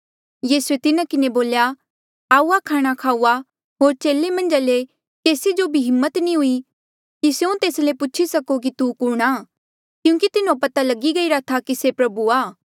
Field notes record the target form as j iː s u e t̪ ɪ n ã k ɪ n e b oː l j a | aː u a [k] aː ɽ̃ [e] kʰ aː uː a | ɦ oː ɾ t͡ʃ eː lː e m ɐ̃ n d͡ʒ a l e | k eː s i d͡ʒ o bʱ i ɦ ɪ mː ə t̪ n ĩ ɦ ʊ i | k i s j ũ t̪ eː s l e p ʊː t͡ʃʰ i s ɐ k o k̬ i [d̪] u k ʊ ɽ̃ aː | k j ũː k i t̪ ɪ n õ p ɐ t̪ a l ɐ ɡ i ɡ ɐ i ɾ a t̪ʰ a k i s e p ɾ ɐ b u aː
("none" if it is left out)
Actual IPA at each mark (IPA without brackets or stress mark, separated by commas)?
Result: kʰ, a, t̪